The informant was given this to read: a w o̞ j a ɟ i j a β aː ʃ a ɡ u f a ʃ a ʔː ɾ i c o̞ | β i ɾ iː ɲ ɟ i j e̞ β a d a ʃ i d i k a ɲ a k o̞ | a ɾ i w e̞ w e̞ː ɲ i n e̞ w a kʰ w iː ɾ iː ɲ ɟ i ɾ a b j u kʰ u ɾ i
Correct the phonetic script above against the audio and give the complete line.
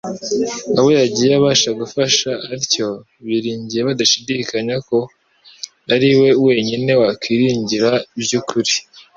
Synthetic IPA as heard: a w o̞ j a ɟ i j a β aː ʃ a ɡ u f a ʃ a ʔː ɾ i c o̞ | β i ɾ iː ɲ ɟ i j e̞ β a d a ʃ i d i k a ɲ a k o̞ | a ɾ i w e̞ w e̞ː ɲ i n e̞ w a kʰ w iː ɾ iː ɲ ɟ i ɾ a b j u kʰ u ɾ i